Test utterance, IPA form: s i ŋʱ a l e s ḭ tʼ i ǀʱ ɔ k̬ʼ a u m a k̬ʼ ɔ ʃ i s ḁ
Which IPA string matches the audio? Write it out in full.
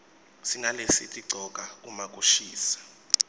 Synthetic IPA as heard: s i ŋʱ a l e s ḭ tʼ i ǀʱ ɔ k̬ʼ a u m a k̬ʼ u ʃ iː s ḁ

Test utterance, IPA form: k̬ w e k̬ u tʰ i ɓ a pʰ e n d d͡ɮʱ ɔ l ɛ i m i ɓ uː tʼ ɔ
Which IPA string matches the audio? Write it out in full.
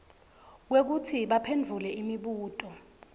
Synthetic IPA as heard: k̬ w e k̬ u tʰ i ɓ a pʰ e n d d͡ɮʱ u l ɛ i m i ɓ uː tʼ ɔ

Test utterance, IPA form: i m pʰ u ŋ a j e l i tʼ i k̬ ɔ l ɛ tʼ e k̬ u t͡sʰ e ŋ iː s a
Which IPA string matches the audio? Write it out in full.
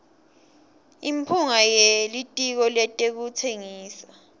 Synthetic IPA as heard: i m pʰ u ŋ a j e l i tʼ i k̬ ɔ l ɛ tʼ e k̬ u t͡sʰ e ŋ iː s a

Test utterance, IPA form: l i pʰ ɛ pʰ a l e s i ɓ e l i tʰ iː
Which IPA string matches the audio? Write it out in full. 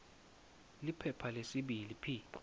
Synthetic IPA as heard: l i pʰ ɛ pʰ a l e s i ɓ i l i pʰ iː

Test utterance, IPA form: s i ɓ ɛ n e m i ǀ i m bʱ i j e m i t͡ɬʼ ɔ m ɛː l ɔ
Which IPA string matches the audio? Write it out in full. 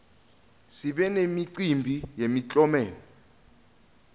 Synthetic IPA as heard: s i ɓ ɛ n e m i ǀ i m bʱ i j e m i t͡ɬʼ ɔ m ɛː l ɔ

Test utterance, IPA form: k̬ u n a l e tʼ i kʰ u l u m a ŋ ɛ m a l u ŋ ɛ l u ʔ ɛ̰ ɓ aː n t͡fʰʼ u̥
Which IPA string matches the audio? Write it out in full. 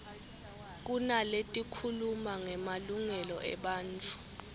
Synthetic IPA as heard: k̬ u n a l e tʼ i kʰ u l u m a ŋ ɛ m a l u ŋ ɛ l ɔ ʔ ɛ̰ ɓ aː n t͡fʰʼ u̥

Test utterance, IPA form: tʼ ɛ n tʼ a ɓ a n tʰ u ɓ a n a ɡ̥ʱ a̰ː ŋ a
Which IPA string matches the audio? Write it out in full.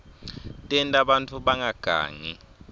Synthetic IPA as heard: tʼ ɛ n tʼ a ɓ a n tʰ u ɓ a ŋ a ɡ̥ʱ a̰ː ŋ i

